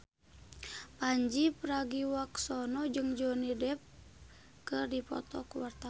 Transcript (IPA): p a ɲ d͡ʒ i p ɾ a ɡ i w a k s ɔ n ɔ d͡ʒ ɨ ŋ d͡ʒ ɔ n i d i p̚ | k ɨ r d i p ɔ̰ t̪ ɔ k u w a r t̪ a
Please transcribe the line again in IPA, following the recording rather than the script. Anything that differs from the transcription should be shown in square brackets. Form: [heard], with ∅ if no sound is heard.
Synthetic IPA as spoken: p a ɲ d͡ʒ i p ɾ a ɡ i w a k s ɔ n ɔ d͡ʒ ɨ ŋ d͡ʒ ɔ n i d [ɛ] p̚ | k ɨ r d i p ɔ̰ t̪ ɔ k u w a r t̪ a